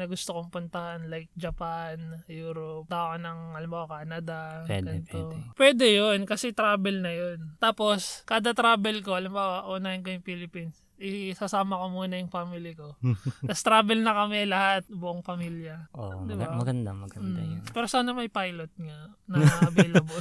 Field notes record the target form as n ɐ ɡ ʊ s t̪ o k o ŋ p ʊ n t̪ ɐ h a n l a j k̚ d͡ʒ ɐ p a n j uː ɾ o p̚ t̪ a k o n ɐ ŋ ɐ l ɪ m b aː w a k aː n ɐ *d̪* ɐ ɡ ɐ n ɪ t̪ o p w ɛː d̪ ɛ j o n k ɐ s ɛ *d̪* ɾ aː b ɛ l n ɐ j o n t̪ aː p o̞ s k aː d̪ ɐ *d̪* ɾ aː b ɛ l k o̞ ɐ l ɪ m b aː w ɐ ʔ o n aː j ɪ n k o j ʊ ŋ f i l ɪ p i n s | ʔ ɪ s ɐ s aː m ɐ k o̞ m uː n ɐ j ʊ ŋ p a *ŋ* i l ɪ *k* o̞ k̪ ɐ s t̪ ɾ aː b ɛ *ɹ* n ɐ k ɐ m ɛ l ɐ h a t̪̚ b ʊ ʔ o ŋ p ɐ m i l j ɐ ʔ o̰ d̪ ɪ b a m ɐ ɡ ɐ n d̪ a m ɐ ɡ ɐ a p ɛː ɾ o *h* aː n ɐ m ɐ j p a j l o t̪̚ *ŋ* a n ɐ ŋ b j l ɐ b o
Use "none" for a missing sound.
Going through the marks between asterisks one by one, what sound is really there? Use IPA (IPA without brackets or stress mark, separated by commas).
d̪, t̪, t̪, m, k, l, s, ŋ